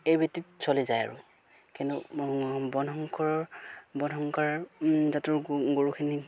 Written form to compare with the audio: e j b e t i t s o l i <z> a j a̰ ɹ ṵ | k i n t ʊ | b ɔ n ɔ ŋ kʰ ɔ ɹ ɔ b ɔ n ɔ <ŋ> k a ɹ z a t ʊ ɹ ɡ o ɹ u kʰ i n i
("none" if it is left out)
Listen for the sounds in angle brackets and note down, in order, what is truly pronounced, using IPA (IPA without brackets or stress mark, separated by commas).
z, ŋ